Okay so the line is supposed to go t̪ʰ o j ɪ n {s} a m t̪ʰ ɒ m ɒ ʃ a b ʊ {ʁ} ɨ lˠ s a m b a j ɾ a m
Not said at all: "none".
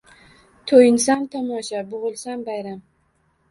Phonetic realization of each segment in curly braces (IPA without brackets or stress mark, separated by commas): s, ʁ